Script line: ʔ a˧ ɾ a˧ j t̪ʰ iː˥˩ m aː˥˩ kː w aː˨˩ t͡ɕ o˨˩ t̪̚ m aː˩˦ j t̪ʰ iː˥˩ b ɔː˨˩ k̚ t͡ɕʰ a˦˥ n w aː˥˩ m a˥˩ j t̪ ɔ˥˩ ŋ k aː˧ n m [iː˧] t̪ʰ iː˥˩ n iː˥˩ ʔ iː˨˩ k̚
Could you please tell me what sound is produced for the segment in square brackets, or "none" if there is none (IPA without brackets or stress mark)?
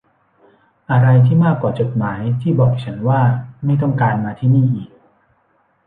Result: aː˧